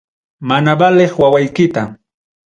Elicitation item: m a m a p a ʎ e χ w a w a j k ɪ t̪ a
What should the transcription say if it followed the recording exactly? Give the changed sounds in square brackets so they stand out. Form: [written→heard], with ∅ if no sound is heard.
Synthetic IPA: m a [m→n] a [p→b] a [ʎ→l] e χ w a w a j k ɪ t̪ a